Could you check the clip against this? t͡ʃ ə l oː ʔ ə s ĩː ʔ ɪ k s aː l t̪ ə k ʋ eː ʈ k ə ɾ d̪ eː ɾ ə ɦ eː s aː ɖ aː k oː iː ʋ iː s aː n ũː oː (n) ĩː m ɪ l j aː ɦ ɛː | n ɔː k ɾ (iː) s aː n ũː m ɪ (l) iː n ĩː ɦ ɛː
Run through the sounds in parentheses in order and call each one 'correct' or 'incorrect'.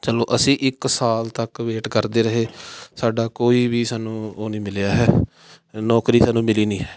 correct, correct, correct

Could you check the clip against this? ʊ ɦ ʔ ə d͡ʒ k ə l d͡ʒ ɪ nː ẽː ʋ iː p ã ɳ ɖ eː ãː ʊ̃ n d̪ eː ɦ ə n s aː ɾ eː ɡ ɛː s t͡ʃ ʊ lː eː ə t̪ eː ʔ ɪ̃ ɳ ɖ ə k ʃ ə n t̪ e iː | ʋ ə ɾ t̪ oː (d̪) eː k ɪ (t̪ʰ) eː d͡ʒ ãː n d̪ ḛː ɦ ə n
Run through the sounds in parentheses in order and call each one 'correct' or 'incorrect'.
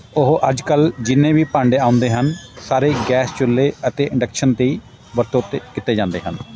incorrect, incorrect

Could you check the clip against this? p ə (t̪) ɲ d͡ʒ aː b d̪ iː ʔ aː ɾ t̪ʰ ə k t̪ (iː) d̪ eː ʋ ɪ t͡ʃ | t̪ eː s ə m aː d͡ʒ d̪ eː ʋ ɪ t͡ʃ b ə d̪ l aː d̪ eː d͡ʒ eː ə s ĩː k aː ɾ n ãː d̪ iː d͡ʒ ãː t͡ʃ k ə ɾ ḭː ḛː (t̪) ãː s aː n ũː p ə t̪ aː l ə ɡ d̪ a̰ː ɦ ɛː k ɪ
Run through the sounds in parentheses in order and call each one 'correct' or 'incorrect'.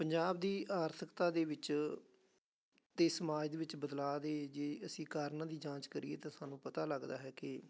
incorrect, incorrect, correct

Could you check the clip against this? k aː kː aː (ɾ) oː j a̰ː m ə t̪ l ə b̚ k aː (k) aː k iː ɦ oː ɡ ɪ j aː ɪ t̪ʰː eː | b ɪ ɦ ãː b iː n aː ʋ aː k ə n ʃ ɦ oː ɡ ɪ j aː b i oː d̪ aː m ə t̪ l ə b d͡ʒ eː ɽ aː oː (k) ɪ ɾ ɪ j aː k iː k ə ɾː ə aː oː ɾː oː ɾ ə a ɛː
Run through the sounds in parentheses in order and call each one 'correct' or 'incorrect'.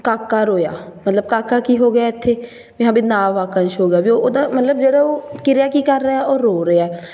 correct, correct, correct

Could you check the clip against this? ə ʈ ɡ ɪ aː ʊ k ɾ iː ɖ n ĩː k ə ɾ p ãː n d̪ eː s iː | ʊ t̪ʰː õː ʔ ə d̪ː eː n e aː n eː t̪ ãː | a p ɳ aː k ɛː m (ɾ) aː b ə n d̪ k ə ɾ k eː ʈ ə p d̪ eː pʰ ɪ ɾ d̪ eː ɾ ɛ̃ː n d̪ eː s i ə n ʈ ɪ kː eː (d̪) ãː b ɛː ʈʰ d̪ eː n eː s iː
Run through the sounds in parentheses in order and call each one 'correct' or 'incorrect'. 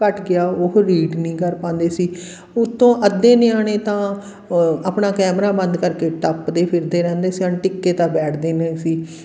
correct, incorrect

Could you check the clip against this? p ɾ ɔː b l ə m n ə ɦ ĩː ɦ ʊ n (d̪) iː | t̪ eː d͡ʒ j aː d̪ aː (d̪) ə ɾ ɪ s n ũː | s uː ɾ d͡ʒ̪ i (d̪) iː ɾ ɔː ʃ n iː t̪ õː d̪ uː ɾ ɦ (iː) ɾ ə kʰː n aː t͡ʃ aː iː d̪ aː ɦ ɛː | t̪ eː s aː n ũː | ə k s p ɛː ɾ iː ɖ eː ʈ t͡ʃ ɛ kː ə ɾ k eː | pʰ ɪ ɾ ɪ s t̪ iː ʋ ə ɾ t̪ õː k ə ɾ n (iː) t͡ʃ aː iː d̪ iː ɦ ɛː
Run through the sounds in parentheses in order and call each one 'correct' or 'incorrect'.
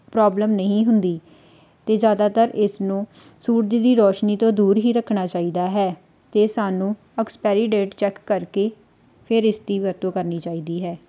correct, incorrect, correct, correct, correct

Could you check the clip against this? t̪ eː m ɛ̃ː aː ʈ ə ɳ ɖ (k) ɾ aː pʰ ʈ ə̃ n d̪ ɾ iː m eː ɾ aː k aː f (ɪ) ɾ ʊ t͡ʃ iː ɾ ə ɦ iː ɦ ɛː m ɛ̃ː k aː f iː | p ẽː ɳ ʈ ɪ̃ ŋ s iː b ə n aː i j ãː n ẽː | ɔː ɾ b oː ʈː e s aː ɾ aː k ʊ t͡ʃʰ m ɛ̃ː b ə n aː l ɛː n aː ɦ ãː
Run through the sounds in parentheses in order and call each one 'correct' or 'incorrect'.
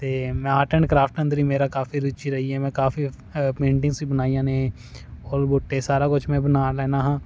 correct, incorrect

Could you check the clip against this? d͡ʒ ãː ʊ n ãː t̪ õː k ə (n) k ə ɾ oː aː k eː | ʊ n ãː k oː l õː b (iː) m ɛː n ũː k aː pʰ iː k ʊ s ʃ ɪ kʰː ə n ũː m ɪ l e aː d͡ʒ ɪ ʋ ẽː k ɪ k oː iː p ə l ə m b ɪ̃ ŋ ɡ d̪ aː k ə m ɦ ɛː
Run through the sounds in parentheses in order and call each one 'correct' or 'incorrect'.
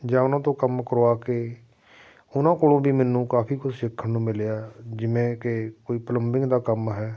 incorrect, correct

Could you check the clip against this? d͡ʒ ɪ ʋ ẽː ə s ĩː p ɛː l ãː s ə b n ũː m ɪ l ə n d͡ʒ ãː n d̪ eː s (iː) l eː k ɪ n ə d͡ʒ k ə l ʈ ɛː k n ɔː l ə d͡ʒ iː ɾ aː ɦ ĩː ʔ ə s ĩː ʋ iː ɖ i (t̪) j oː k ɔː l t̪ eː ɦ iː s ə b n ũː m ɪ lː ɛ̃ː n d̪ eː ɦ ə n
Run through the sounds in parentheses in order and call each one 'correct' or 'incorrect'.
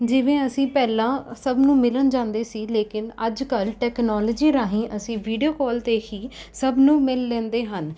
correct, incorrect

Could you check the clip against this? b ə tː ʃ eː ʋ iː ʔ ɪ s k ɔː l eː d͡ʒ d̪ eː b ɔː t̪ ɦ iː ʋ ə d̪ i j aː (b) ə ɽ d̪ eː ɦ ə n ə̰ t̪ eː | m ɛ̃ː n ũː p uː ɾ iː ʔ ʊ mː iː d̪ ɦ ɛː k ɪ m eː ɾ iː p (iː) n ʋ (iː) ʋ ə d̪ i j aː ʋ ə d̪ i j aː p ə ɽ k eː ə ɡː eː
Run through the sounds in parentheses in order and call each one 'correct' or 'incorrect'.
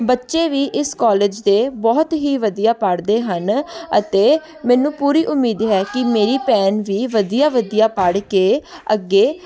incorrect, incorrect, correct

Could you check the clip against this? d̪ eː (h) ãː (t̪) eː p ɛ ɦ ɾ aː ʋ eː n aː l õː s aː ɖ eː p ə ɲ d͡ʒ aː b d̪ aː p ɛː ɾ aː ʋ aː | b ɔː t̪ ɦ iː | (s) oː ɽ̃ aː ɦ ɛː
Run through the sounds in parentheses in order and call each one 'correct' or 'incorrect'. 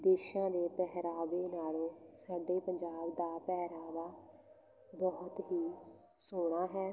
incorrect, incorrect, correct

